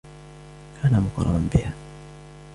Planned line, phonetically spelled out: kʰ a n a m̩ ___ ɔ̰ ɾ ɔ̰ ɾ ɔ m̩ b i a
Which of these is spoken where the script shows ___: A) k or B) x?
A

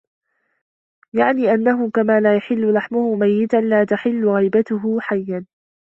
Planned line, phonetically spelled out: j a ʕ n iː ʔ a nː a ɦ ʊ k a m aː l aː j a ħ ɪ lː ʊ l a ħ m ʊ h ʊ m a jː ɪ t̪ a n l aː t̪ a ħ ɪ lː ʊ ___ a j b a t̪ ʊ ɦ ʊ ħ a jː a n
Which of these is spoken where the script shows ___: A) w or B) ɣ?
B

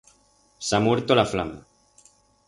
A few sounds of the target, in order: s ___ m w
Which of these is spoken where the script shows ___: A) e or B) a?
B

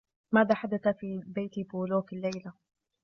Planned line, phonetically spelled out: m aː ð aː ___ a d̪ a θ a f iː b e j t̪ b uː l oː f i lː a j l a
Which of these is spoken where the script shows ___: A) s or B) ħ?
B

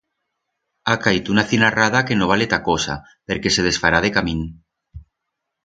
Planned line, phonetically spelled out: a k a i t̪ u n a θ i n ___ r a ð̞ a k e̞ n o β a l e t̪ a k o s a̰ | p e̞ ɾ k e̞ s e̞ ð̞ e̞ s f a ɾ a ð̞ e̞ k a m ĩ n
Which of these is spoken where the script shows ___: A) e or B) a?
B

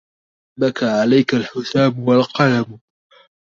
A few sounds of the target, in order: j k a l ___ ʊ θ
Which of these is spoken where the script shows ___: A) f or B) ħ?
B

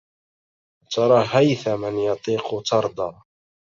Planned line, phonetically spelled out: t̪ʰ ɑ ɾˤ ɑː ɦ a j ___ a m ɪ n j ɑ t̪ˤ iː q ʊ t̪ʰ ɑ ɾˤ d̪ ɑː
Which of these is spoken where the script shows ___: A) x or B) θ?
B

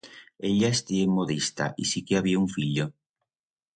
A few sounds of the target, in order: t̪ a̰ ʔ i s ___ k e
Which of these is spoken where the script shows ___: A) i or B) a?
A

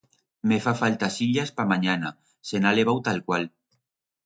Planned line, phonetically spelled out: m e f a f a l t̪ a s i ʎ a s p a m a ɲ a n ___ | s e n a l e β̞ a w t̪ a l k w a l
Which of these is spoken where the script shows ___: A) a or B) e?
A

